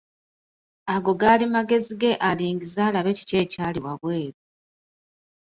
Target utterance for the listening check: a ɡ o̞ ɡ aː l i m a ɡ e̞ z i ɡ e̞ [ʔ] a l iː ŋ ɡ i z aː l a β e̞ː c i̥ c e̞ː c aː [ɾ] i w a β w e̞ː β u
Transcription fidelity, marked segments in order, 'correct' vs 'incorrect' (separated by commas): correct, incorrect